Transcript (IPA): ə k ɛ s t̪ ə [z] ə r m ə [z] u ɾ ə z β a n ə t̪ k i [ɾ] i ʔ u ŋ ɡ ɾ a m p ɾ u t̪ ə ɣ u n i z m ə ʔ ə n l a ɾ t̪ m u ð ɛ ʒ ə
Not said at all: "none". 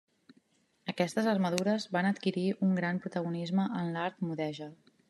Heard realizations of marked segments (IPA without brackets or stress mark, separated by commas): z, ð, ɾ